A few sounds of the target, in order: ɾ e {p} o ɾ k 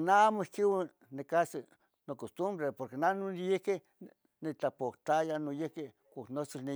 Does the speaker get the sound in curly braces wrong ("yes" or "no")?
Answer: no